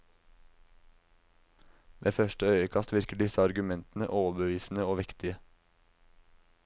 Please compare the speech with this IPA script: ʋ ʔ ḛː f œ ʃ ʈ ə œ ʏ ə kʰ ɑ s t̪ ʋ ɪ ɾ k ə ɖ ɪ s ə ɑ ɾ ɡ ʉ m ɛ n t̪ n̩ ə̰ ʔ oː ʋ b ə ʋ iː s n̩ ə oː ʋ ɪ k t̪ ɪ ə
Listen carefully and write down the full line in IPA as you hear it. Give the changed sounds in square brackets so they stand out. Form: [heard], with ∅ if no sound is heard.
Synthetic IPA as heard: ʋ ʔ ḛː f œ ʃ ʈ ə œ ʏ ə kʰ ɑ s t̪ ʋ ɪ ɾ k ə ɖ ɪ s ə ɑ ɾ ɡ ʉ m ɛ n t̪ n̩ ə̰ ʔ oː ʋ b ə ʋ iː s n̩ ə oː ʋ ɪ k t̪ ɪ ə